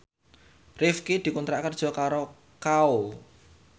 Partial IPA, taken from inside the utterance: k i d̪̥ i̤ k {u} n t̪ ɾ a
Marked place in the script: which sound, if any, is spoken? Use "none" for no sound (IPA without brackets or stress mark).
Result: u